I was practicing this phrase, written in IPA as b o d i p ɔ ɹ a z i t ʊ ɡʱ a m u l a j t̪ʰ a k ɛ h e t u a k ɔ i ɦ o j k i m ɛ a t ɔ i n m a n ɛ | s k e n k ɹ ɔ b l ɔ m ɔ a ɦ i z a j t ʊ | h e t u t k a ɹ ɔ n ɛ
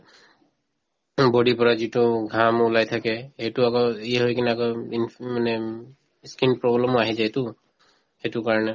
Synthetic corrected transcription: b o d i p ɔ ɹ a z i t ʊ ɡʱ a m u l a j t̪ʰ a k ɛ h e t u a k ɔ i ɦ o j k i n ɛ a k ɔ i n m a n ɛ | s k i n p ɹ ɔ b l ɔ m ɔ a ɦ i z a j t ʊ | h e t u k a ɹ ɔ n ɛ